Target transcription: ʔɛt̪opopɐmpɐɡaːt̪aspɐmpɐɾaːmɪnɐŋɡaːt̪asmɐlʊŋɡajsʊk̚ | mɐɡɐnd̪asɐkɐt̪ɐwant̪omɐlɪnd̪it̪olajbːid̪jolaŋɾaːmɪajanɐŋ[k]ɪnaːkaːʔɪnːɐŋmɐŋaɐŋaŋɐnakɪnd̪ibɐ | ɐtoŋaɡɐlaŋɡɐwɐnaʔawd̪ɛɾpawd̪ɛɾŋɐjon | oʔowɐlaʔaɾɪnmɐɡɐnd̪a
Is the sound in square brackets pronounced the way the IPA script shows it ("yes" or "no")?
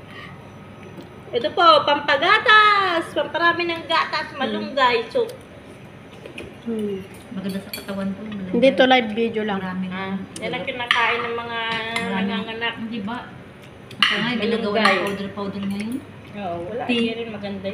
yes